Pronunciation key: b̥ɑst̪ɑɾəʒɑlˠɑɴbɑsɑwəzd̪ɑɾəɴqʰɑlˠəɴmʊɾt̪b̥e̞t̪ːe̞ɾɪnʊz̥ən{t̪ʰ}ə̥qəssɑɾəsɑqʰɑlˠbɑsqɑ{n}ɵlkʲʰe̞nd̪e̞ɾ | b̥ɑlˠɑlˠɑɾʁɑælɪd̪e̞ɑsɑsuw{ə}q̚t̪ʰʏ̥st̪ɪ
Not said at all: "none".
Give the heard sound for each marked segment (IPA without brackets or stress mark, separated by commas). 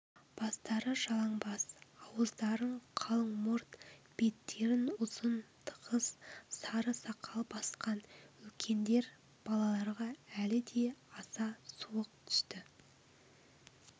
t̪ʰ, n, ə